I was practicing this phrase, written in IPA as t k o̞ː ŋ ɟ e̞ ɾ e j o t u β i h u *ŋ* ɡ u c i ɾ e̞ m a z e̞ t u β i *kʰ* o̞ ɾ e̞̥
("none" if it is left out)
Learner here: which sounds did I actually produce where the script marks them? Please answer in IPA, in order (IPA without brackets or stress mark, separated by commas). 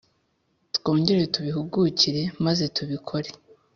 none, kʰ